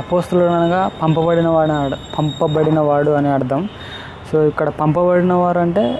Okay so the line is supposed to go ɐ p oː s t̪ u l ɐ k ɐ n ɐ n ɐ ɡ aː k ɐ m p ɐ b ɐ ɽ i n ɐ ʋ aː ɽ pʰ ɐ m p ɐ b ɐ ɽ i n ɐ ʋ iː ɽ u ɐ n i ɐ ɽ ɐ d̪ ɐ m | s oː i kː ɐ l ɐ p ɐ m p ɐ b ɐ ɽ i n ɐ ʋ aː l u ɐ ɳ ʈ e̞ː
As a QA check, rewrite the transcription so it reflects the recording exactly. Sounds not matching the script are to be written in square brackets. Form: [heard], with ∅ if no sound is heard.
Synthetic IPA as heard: ɐ p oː s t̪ u l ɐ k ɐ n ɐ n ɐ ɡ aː [p] ɐ m p ɐ b ɐ ɽ i n ɐ ʋ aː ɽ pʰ ɐ m p ɐ b ɐ ɽ i n ɐ ʋ [aː] ɽ u ɐ n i ɐ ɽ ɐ d̪ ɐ m | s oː i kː ɐ [ɽ] ɐ p ɐ m p ɐ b ɐ ɽ i n ɐ ʋ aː [ɾ] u ɐ ɳ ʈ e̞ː